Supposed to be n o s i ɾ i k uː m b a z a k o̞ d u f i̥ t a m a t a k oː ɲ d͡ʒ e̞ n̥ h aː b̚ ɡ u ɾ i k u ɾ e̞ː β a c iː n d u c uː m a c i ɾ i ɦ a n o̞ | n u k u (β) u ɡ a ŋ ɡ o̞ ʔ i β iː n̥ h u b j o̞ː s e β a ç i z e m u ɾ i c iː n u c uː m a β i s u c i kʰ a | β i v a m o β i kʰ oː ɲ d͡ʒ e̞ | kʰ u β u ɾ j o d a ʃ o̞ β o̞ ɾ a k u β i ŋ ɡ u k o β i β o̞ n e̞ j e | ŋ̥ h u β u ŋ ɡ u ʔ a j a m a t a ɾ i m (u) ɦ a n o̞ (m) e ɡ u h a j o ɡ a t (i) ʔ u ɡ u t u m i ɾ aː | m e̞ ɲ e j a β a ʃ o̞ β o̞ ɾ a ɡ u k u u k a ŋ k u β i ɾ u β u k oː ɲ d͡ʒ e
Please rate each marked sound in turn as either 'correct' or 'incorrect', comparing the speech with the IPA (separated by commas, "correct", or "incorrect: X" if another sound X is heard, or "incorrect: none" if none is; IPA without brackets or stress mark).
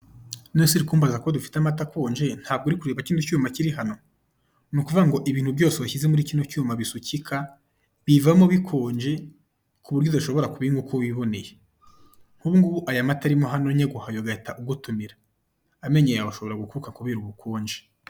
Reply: incorrect: v, incorrect: o, incorrect: ɲ, incorrect: a